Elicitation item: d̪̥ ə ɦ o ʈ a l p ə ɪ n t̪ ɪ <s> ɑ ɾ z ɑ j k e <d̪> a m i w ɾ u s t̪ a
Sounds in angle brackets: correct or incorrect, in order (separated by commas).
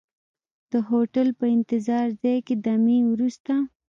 incorrect, correct